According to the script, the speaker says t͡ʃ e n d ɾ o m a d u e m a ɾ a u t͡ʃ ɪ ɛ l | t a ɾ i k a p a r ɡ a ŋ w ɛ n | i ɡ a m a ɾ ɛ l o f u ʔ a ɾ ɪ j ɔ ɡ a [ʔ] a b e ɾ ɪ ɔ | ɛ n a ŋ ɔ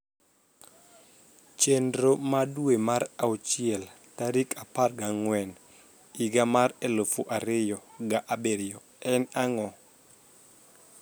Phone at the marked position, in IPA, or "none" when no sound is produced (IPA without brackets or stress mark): ʔ